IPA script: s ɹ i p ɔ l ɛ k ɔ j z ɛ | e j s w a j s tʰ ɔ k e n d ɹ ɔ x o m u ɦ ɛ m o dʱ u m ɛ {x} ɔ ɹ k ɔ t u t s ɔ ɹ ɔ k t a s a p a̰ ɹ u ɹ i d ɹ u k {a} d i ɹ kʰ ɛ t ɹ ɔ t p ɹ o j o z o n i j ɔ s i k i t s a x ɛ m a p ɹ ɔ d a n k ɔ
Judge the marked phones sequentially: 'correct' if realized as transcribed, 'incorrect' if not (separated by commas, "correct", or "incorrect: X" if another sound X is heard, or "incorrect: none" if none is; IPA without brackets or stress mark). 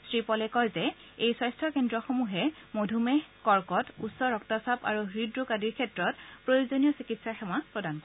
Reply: incorrect: k, correct